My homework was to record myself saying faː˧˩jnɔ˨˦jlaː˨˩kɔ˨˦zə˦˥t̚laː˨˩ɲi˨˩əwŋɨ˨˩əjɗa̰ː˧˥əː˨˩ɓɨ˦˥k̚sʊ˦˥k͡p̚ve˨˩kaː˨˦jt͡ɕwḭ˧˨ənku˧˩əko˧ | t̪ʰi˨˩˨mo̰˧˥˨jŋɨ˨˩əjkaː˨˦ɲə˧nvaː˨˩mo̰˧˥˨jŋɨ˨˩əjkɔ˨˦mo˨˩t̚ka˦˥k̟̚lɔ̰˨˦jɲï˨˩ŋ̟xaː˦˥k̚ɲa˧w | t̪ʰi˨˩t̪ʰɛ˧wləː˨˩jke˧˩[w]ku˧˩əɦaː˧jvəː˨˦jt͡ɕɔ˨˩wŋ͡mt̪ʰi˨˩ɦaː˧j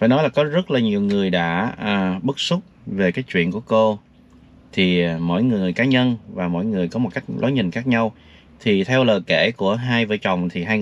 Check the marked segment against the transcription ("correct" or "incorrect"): incorrect